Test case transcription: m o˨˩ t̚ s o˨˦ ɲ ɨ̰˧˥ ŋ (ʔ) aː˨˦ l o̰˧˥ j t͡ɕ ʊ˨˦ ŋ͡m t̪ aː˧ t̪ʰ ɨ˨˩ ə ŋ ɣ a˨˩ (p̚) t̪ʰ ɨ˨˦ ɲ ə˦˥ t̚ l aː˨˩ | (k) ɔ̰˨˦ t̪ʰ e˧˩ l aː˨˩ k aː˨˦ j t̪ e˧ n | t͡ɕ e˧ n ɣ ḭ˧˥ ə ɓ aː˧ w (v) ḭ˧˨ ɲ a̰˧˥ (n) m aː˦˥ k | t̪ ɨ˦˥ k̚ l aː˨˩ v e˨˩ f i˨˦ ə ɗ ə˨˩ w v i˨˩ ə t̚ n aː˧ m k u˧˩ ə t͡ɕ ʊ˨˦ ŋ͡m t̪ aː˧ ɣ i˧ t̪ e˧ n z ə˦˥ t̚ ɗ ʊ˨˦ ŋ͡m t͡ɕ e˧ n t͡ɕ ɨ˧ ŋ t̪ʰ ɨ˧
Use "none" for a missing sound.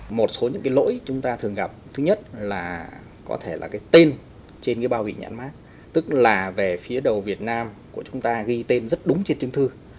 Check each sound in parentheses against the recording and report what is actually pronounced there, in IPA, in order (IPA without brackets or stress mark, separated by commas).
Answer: k, p̚, k, v, n